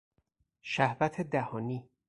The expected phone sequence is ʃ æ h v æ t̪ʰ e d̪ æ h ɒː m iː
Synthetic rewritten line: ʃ æ h v æ t̪ʰ e d̪ æ h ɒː n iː